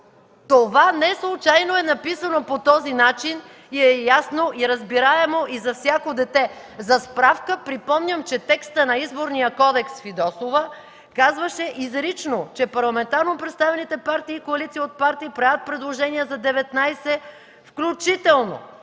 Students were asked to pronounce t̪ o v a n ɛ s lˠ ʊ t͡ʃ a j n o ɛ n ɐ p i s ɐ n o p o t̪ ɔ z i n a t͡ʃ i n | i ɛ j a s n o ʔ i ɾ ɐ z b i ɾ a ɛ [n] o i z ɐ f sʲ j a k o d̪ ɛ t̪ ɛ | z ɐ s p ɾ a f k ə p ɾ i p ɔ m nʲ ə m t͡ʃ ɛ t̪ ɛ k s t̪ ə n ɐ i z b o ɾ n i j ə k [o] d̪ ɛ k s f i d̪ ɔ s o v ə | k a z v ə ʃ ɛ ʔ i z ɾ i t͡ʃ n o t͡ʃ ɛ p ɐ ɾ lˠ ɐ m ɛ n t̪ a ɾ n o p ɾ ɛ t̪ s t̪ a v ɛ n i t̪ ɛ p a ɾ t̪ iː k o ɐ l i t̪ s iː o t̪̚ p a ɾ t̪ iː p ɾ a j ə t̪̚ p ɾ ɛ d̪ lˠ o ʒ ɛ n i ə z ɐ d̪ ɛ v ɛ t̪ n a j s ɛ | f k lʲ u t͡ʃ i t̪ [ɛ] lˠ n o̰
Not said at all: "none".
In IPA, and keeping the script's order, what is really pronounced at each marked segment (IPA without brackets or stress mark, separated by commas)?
m, ɔ, ɛ